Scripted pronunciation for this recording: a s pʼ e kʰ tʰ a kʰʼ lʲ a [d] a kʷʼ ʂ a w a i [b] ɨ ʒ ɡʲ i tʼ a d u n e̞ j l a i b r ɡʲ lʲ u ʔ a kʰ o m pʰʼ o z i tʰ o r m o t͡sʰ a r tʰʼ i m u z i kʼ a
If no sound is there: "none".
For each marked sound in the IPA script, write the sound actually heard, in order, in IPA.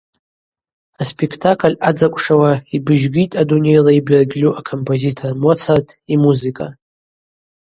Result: d͡z, b

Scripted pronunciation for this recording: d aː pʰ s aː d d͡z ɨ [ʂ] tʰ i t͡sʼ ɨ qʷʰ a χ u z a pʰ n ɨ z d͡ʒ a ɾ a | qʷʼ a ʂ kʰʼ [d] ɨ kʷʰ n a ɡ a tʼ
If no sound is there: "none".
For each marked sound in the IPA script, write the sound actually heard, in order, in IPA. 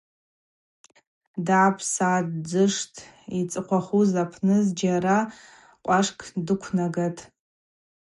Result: ʂ, d

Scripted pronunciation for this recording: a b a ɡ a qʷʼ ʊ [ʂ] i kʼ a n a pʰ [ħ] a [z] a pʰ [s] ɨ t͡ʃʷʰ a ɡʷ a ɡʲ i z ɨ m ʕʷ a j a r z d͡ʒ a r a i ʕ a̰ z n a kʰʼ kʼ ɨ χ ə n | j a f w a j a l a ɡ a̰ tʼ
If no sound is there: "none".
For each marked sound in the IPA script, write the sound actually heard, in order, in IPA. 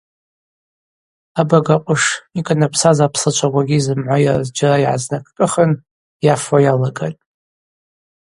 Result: ʂ, s, z, s

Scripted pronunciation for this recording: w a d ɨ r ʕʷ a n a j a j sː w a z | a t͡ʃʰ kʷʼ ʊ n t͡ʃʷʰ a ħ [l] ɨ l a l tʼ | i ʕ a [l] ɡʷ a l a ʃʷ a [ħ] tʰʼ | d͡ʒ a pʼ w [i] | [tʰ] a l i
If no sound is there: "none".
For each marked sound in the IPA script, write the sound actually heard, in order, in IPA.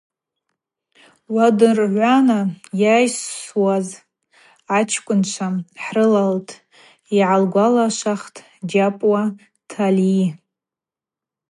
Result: r, l, χ, a, tʰ

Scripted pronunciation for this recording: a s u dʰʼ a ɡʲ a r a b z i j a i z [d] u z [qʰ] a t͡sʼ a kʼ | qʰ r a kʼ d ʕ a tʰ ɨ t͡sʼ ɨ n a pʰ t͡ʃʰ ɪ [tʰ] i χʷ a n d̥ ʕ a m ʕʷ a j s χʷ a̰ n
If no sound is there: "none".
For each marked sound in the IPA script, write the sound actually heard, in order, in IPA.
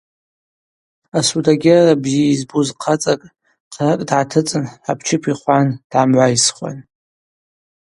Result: b, qʰ, pʰ

